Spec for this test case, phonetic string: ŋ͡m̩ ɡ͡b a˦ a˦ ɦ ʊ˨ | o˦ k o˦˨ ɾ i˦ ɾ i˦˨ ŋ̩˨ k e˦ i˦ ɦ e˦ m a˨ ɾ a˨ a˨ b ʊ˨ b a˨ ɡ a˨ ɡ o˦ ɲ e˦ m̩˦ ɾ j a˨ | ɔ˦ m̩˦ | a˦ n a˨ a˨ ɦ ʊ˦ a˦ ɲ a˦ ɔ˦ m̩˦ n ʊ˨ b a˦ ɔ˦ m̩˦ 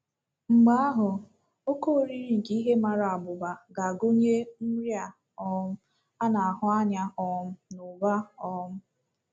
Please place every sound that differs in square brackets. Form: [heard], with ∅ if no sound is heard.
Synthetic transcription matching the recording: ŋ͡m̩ ɡ͡b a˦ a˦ ɦ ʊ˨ | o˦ k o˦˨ ɾ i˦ ɾ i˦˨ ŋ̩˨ k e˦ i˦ ɦ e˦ m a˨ ɾ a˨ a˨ b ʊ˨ b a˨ ɡ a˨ ɡ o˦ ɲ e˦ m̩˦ ɾ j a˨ | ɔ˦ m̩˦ | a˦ n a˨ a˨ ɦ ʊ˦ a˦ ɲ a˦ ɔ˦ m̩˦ n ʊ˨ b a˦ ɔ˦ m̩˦